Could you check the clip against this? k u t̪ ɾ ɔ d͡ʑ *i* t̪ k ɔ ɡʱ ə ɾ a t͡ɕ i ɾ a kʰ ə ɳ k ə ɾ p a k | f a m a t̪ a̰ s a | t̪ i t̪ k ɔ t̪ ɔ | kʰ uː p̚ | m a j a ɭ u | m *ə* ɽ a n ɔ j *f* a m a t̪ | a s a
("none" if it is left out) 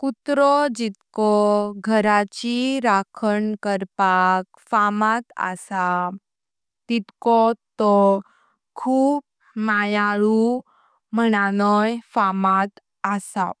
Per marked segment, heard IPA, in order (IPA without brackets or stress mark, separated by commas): i, ə, f